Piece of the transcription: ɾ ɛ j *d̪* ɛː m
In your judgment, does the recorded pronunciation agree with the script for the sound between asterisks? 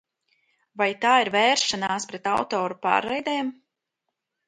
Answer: yes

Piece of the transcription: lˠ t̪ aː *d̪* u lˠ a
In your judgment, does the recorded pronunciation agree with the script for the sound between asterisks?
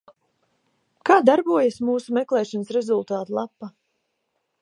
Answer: no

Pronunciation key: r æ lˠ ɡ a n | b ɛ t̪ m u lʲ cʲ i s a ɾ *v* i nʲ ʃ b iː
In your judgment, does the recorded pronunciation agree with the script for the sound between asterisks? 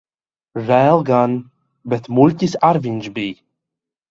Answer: yes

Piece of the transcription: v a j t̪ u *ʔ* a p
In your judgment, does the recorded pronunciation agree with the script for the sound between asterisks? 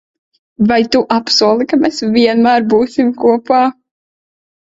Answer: yes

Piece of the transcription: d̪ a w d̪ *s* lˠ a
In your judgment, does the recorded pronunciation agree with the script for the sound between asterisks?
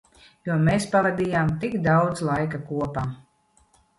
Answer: no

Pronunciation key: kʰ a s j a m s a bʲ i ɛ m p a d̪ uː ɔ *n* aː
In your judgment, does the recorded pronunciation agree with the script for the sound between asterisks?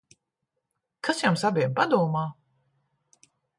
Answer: no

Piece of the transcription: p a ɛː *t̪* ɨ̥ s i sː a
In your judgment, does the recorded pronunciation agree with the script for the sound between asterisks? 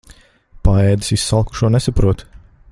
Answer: no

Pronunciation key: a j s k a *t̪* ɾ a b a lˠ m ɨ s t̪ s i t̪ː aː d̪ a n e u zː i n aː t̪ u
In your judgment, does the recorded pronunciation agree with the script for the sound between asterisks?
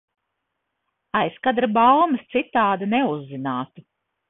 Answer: no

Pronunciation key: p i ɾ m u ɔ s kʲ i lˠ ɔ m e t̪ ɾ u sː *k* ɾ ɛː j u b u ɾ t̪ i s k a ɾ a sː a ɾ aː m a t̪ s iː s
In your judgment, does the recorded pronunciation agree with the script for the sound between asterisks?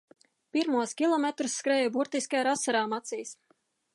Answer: yes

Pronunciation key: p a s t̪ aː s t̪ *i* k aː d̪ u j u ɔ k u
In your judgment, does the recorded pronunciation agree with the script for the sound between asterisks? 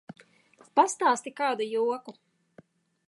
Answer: yes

